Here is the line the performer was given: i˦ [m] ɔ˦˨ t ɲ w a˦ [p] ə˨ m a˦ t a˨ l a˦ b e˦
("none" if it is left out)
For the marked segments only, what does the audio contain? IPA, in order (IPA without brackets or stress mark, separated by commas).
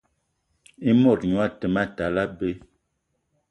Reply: m, t